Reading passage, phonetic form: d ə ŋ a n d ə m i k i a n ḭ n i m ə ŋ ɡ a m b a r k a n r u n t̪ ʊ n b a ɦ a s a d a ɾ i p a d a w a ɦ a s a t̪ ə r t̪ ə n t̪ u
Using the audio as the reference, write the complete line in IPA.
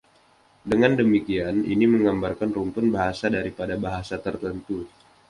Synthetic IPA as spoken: d ə ŋ a n d ə m i k i a n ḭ n i m ə ŋ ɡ a m b a r k a n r u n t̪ ʊ n b a ɦ a s a d a ɾ i p a d a b a ɦ a s a t̪ ə r t̪ ə n t̪ u